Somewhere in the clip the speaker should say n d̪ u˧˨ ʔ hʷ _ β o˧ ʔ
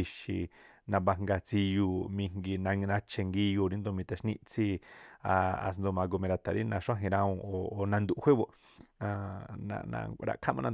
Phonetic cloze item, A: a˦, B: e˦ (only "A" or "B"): B